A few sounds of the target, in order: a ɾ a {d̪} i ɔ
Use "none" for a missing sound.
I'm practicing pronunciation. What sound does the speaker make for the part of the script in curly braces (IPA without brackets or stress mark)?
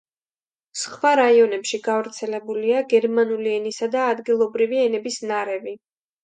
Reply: none